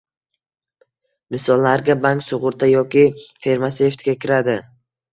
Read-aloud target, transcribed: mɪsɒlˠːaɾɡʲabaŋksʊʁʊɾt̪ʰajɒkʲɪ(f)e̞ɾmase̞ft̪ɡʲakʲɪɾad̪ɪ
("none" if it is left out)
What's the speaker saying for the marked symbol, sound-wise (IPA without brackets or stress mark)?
f